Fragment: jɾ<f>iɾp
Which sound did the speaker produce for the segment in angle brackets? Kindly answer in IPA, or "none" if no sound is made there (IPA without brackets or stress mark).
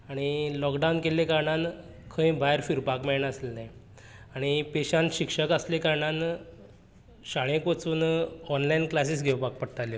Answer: f